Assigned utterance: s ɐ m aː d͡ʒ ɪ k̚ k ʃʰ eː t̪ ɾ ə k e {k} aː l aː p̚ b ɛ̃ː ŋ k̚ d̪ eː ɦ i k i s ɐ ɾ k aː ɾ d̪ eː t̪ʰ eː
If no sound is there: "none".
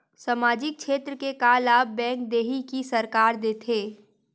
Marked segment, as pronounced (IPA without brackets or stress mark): k